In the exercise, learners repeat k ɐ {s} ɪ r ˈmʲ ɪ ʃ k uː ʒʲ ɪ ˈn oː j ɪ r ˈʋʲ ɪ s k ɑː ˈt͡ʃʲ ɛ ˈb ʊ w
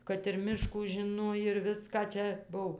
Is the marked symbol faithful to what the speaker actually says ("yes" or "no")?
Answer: no